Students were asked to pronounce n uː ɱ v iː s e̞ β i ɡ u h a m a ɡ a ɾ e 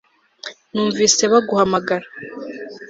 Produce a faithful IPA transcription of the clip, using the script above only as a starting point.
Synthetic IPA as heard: n uː ɱ v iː s e̞ β a ɡ u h a m a ɡ a ɾ a